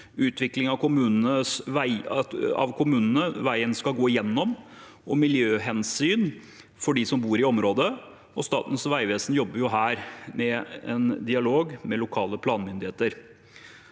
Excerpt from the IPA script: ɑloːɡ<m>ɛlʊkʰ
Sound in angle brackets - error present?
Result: no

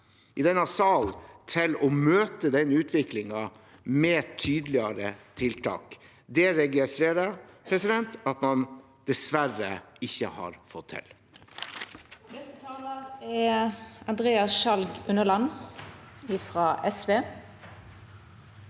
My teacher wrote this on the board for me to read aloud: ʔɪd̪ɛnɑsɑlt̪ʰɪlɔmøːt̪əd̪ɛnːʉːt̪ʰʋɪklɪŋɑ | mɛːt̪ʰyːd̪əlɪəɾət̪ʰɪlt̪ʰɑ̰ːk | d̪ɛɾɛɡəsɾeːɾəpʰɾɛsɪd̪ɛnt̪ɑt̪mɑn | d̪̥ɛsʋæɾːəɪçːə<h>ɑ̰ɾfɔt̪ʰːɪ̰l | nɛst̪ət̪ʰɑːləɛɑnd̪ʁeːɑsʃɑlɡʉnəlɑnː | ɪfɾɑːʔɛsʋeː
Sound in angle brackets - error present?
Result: no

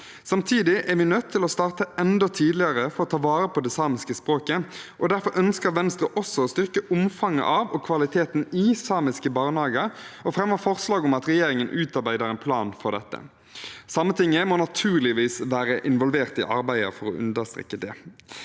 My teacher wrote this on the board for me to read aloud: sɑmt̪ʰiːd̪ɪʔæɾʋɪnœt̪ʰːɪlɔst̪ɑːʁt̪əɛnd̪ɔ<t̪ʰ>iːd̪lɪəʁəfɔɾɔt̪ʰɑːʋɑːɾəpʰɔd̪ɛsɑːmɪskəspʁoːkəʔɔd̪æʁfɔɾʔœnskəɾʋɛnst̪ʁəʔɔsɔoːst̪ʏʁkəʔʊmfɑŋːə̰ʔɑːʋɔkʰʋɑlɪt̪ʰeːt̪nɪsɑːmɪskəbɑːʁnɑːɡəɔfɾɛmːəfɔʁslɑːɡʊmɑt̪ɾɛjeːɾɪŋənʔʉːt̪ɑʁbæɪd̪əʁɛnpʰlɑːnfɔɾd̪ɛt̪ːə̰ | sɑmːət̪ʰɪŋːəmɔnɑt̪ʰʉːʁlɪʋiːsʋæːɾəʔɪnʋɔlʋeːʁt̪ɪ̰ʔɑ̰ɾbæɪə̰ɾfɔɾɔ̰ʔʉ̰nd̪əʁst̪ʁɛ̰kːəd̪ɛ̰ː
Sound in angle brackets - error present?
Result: no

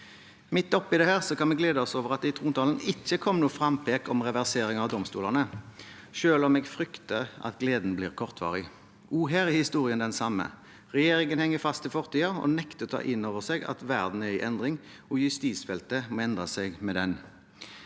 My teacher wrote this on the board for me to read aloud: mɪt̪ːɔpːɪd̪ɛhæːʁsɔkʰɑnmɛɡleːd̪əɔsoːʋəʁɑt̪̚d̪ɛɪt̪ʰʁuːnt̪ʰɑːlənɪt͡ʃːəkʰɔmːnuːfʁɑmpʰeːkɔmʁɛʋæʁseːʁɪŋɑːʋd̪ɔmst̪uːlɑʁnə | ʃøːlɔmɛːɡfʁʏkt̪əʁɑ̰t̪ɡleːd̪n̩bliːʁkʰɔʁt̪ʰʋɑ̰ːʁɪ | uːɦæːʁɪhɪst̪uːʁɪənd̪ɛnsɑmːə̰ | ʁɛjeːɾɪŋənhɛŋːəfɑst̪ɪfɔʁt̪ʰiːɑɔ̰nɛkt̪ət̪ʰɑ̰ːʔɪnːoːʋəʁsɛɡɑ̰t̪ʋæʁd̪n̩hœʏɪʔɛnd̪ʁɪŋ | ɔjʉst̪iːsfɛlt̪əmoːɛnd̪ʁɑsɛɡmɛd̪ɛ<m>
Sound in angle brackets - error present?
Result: yes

